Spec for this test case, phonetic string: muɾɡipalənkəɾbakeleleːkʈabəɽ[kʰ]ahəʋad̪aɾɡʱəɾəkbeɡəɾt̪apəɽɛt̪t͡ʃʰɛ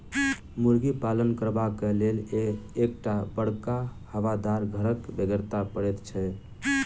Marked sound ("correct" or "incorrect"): incorrect